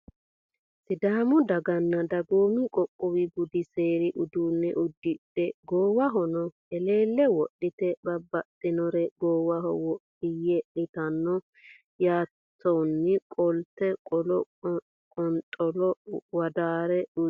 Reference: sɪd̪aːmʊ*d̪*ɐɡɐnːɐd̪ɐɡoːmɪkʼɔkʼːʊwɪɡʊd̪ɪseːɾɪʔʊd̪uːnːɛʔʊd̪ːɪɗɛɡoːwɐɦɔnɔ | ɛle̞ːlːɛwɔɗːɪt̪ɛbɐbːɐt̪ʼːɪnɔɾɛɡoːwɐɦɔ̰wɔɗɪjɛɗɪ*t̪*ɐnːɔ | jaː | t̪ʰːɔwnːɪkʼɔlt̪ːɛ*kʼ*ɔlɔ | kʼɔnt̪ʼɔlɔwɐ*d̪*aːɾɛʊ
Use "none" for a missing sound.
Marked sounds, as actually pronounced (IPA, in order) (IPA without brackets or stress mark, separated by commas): d̪, t̪, kʼ, d̪